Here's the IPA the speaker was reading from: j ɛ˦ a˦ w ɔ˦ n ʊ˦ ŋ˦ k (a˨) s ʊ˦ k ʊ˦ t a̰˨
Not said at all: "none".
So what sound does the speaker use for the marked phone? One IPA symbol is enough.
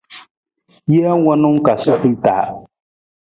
a˨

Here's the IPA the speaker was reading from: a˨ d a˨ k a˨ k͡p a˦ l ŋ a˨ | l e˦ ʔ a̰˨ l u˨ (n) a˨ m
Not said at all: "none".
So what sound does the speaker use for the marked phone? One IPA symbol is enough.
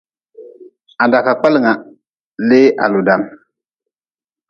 d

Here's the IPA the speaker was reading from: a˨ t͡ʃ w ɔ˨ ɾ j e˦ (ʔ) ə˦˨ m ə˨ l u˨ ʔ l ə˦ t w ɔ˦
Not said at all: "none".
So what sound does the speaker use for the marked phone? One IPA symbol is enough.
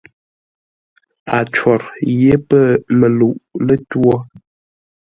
p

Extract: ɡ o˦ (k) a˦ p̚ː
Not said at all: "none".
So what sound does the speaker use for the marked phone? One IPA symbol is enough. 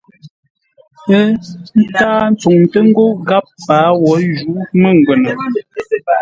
ɡ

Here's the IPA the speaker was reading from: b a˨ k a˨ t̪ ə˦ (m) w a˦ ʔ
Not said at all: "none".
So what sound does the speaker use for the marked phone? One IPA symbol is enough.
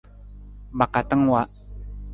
ŋ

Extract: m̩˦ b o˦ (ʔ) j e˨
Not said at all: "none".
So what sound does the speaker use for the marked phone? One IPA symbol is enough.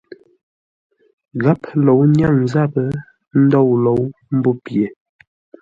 p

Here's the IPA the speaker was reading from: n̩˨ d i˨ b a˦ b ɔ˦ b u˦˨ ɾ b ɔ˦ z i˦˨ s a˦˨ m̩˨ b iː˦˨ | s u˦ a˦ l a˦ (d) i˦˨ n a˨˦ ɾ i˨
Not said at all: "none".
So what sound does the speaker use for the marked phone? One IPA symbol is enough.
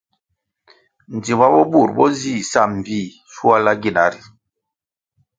ɡ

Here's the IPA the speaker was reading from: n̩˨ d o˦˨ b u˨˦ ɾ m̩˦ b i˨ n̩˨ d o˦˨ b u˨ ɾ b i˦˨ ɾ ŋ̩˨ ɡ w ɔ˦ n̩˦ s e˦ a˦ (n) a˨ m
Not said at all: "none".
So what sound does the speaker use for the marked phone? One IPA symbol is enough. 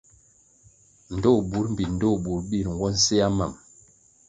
m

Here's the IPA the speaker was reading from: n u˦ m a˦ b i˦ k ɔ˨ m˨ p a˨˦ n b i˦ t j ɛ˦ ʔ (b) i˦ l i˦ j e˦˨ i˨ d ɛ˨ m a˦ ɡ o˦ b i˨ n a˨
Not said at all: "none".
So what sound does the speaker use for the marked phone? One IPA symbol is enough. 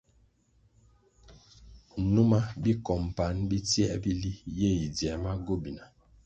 b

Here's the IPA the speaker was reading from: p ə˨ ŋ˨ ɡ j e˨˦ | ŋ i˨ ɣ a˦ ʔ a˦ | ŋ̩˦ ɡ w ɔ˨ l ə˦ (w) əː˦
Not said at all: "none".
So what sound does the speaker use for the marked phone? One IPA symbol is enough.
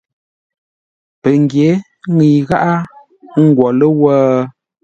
w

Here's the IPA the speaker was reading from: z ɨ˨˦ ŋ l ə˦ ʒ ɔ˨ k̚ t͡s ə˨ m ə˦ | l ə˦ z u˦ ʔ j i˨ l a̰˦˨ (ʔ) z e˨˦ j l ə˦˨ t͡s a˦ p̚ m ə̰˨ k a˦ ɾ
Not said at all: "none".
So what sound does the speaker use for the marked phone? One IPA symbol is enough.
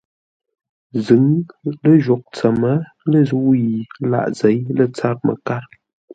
ʔ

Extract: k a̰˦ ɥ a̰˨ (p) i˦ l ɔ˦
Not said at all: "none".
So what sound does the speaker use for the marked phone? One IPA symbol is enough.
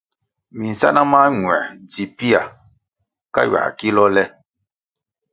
k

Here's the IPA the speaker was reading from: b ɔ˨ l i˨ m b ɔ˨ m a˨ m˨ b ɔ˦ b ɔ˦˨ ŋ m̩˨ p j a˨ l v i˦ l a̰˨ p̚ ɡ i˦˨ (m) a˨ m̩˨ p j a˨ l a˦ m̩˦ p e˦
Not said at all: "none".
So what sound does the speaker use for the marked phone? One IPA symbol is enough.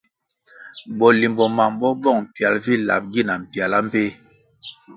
n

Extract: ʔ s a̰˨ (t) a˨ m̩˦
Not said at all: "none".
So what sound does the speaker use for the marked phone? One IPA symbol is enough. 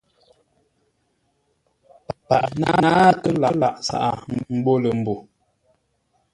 ʔ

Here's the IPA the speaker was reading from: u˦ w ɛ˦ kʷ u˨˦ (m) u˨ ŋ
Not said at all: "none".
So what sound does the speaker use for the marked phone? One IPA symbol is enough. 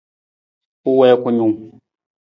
ɲ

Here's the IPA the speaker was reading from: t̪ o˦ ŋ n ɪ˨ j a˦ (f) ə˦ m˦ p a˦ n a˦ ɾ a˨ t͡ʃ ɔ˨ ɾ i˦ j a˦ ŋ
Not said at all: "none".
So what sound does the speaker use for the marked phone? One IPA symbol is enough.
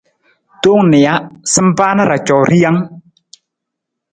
s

